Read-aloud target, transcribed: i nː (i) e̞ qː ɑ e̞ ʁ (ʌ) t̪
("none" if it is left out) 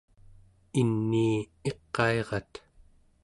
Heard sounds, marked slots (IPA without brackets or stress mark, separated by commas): iː, ɑ